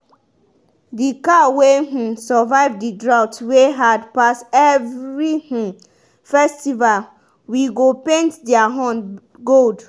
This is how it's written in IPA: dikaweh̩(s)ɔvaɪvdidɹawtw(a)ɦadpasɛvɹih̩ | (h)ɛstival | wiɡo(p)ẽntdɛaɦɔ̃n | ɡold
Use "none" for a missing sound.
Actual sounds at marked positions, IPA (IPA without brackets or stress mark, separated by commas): s, e, f, p